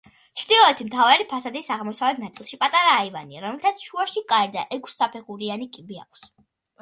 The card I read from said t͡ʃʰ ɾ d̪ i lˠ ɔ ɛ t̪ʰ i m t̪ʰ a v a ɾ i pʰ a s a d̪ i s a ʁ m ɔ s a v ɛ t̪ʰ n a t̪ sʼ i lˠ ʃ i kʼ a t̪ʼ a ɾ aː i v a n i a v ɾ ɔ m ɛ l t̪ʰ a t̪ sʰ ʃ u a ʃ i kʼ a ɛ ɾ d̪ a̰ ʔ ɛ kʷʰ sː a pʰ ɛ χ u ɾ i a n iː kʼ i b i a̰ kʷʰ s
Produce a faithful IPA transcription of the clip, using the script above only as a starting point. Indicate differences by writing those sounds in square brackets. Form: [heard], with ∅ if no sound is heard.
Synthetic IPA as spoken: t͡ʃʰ ɾ d̪ i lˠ ɔ ɛ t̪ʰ i m t̪ʰ a v a ɾ i pʰ a s a d̪ i s a ʁ m ɔ s a v ɛ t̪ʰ n a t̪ sʼ i lˠ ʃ i [pʼ] a t̪ʼ a ɾ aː i v a n i a [∅] ɾ ɔ m ɛ l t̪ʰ a t̪ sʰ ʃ u a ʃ i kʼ a ɛ ɾ d̪ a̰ ʔ ɛ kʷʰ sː a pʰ ɛ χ u ɾ i a n [i] kʼ i b i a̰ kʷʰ s